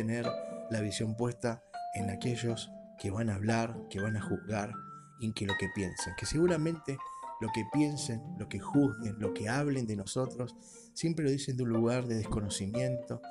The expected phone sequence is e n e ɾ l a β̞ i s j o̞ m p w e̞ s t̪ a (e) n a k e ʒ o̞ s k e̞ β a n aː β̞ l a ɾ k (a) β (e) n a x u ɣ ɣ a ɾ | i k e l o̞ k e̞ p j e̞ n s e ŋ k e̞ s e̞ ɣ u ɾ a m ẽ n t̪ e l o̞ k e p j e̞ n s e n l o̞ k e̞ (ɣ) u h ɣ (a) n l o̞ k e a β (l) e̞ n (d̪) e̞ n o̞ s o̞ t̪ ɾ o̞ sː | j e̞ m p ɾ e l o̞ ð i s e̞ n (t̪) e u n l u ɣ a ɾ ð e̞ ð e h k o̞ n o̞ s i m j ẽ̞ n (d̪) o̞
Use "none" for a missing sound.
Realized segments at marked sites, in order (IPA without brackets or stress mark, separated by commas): e, e, a, x, e, l, d̪, d̪, t̪